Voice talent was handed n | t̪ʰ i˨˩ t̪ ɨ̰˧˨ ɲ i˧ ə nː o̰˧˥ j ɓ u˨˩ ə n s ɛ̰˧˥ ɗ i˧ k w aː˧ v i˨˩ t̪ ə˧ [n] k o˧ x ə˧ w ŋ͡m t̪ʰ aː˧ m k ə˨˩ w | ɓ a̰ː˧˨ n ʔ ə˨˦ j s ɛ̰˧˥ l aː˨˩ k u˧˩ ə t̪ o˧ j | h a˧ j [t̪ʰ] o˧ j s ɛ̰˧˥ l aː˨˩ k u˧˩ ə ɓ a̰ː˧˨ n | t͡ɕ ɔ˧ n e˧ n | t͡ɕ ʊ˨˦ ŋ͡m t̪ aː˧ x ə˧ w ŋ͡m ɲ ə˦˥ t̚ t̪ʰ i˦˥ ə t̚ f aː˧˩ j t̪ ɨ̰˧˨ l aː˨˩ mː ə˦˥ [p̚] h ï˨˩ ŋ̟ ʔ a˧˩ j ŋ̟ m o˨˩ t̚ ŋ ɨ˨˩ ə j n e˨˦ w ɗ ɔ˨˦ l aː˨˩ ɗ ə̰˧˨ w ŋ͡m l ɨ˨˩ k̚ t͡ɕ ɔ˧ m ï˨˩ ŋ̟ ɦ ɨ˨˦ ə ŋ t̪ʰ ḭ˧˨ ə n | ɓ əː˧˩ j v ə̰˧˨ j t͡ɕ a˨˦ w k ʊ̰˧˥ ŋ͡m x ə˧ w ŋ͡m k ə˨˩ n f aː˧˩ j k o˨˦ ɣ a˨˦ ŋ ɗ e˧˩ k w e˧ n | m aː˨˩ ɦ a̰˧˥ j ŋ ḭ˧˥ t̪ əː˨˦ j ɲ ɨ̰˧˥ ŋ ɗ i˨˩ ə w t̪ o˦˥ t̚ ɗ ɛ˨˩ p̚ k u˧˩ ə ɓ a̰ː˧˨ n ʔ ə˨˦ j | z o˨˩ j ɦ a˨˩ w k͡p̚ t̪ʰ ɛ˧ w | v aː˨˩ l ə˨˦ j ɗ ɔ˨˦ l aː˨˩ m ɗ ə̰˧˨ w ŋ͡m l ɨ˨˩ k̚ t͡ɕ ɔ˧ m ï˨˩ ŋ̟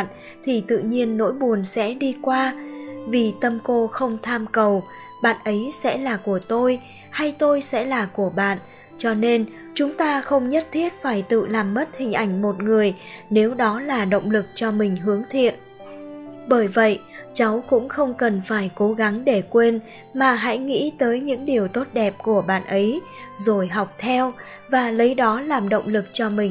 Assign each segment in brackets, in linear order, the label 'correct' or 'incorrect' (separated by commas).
incorrect, incorrect, incorrect